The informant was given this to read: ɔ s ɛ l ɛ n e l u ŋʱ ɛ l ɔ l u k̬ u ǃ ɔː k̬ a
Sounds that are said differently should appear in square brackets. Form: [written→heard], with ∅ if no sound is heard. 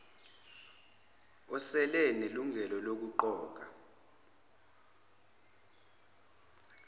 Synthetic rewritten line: ɔ s ɛ l ɛ n e l u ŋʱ ɛ l ɔ l [u→o] k̬ u ǃ ɔː k̬ a